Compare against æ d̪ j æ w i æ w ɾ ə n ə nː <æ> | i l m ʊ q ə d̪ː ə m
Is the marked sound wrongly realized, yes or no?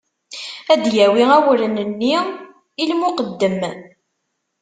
yes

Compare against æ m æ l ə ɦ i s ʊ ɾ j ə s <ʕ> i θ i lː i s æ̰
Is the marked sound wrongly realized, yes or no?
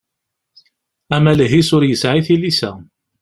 no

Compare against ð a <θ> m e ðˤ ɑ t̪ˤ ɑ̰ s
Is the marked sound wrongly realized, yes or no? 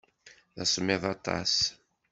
yes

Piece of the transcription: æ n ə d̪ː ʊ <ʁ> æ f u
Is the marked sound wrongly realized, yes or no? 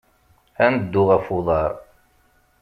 no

